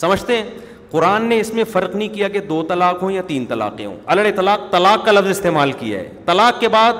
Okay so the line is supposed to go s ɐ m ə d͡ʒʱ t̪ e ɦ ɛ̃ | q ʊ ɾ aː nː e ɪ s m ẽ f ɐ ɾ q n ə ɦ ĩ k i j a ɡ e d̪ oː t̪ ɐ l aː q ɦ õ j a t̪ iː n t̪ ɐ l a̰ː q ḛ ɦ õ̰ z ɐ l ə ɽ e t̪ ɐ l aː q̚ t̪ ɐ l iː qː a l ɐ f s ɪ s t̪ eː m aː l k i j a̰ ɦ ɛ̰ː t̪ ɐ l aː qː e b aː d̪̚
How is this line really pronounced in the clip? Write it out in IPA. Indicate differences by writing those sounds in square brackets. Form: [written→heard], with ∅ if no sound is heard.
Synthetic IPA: s ɐ m ə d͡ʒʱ t̪ e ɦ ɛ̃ | q ʊ ɾ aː nː e ɪ s m ẽ f ɐ ɾ q n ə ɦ ĩ k i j a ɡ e d̪ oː t̪ ɐ l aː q ɦ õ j a t̪ iː n t̪ ɐ l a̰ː q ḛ ɦ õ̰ [z→∅] ɐ l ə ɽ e t̪ ɐ l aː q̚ t̪ ɐ l [iː→aː] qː a l ɐ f [s→z] ɪ s t̪ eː m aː l k i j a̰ ɦ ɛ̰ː t̪ ɐ l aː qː e b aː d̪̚